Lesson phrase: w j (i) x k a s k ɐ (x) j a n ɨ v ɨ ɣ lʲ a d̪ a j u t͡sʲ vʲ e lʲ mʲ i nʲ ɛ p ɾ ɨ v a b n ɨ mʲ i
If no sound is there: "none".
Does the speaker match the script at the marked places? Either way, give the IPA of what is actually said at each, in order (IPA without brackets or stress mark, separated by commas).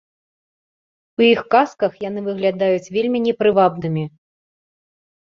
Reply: i, x